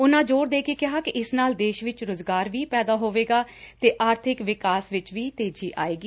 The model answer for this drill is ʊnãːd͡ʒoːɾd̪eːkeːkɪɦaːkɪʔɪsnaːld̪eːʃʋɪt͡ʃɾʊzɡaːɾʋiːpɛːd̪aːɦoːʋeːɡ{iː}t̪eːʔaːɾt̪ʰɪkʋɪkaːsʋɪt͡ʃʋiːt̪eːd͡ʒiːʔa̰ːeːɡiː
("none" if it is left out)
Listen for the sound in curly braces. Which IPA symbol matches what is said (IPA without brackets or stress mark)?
aː